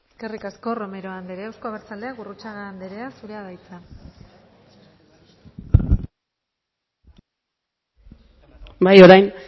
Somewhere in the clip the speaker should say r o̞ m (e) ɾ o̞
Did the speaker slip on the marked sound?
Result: no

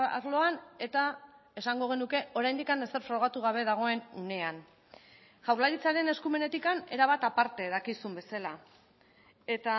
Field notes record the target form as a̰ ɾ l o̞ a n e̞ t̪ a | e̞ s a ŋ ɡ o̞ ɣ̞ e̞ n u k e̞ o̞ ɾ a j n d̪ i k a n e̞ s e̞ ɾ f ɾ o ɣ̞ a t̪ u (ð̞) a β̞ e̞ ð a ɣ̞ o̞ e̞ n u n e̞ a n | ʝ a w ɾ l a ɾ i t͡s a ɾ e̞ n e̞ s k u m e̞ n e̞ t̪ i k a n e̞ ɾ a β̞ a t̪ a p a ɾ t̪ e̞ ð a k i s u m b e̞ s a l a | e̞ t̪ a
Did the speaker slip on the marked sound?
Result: yes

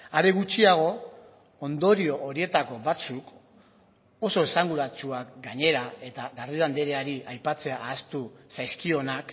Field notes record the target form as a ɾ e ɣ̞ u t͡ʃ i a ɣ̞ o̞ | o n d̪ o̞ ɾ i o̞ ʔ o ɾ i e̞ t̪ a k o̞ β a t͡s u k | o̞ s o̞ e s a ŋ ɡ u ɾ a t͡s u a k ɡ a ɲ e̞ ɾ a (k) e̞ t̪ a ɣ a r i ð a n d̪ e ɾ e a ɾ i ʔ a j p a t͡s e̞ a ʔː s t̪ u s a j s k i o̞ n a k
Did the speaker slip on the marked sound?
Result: yes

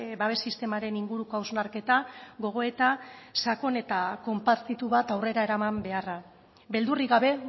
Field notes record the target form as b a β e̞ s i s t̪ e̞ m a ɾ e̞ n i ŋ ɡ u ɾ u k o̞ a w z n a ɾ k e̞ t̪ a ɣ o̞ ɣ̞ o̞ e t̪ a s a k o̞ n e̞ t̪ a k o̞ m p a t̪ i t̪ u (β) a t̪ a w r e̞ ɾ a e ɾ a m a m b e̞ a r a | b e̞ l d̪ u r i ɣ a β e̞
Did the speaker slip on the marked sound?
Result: no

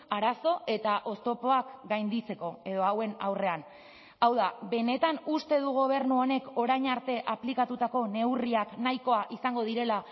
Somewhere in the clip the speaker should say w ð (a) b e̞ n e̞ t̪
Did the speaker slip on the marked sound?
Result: no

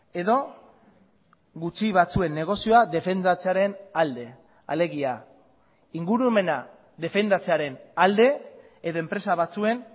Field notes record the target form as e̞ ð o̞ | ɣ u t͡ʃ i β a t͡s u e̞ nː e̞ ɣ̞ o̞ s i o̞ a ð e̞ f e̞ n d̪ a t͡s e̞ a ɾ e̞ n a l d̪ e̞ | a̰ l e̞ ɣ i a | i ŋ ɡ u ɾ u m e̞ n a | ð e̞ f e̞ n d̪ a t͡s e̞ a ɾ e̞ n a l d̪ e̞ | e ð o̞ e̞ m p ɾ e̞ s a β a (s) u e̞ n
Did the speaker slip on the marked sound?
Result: yes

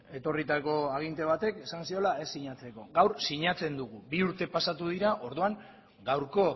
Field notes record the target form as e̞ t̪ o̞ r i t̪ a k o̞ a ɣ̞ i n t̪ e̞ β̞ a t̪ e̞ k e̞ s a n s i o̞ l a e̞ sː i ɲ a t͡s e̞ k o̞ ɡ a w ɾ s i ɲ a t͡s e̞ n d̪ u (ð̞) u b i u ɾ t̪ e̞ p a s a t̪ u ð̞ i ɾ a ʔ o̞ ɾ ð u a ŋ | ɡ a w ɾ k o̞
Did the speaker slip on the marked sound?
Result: yes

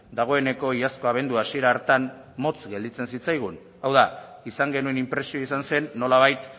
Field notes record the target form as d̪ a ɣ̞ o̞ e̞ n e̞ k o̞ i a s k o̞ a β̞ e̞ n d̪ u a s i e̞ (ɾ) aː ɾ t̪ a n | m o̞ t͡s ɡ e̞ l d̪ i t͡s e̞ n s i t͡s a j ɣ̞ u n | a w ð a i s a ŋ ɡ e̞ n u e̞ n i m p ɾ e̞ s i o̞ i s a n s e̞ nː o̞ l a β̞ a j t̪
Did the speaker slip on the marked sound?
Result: no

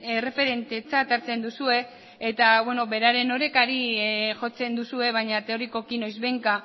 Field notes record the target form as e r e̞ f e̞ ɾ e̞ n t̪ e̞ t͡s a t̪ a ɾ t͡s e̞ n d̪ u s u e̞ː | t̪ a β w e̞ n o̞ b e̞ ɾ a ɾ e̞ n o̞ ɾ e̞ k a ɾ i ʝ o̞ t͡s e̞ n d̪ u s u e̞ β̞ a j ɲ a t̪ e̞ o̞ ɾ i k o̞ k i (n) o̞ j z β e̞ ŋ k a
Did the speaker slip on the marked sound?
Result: no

